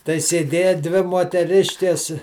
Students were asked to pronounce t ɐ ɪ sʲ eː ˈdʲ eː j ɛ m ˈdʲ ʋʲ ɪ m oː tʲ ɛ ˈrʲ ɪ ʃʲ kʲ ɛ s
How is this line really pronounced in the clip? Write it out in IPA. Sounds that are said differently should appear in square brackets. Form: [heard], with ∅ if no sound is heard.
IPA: t ɐ ɪ sʲ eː ˈdʲ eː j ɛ [∅] ˈdʲ ʋʲ ɪ m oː tʲ ɛ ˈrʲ ɪ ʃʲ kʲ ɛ s